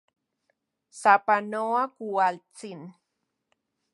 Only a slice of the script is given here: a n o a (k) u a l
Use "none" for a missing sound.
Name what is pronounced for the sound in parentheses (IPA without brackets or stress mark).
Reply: k